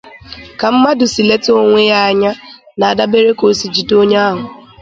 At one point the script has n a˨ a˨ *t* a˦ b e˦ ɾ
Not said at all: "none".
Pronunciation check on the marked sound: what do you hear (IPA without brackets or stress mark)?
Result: d